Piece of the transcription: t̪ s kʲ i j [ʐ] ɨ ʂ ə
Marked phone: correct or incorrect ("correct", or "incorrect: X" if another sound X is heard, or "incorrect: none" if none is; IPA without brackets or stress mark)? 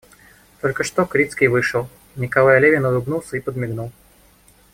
incorrect: v